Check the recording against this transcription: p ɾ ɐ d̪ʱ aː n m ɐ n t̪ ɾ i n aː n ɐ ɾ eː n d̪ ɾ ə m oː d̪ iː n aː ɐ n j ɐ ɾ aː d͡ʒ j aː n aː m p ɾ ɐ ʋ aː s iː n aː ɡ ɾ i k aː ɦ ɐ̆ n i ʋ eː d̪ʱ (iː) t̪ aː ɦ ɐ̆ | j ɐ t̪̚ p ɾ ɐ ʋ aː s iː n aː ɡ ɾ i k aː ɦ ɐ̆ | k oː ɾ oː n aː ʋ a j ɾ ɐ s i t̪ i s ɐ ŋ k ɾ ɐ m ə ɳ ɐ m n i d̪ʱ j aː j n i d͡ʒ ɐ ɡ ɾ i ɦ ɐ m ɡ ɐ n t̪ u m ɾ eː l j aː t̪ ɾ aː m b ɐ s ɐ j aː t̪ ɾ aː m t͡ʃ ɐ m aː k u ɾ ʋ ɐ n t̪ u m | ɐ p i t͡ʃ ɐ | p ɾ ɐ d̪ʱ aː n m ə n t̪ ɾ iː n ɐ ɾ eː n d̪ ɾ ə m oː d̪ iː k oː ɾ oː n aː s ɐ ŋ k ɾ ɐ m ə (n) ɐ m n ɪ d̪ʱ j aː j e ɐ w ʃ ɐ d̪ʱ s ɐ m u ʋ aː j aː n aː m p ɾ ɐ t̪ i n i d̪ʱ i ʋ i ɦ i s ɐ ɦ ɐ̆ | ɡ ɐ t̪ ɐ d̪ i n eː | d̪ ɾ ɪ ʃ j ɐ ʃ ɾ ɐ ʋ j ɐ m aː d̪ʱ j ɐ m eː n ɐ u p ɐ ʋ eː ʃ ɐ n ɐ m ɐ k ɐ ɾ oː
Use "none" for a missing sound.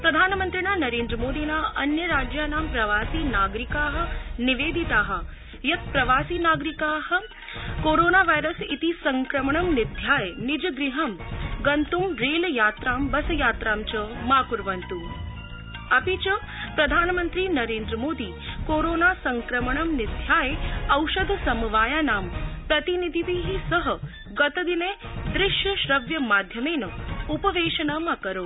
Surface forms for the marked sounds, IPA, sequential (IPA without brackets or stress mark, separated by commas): i, ɳ